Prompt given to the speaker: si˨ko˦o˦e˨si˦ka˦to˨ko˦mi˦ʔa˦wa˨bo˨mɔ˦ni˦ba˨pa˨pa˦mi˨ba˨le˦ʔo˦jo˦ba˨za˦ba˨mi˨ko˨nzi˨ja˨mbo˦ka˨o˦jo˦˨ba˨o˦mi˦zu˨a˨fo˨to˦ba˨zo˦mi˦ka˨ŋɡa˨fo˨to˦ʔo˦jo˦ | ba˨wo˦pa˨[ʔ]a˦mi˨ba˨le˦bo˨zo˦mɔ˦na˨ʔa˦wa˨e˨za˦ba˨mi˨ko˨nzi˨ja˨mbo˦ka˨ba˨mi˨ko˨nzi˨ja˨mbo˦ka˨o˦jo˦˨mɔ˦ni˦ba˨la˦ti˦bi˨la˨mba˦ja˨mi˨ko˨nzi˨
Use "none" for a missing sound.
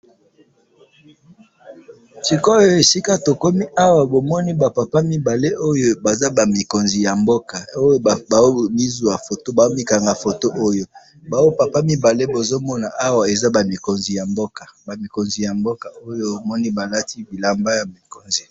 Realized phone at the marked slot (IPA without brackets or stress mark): p